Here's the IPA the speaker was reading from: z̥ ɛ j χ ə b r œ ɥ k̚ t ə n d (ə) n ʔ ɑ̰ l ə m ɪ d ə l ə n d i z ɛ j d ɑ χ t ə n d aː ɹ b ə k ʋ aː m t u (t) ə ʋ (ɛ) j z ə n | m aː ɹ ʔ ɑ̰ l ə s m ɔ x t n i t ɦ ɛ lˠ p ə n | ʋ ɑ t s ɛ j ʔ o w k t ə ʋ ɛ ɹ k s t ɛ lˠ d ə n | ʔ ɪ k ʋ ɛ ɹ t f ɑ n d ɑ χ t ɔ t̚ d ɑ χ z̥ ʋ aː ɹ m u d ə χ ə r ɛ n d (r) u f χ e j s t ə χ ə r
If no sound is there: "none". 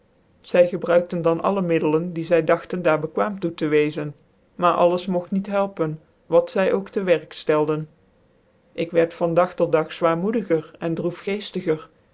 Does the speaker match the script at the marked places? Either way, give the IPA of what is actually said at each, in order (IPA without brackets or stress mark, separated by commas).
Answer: ɑ, t, e, r